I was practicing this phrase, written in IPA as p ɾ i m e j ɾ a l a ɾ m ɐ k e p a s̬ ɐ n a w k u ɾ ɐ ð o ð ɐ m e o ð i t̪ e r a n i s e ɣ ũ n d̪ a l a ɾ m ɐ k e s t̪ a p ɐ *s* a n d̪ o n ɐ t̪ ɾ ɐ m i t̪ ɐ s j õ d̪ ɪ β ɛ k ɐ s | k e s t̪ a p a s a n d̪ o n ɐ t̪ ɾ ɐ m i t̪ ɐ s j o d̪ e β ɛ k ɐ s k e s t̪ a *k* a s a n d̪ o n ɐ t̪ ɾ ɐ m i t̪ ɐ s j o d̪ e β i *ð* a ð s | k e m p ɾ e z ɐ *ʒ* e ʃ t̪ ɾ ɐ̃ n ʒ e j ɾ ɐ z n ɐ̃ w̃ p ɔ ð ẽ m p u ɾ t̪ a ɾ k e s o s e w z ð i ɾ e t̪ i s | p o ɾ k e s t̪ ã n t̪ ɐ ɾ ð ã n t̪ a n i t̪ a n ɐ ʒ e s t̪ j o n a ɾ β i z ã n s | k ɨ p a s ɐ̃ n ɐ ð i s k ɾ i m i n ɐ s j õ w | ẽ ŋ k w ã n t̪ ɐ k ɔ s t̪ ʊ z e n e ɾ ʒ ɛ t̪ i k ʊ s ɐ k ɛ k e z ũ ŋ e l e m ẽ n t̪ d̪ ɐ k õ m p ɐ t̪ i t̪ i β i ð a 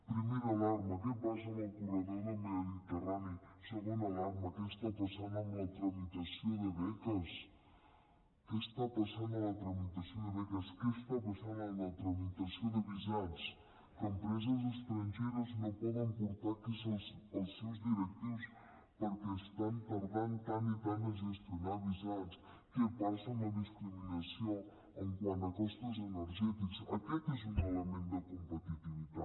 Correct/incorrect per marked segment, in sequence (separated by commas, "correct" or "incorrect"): correct, incorrect, incorrect, incorrect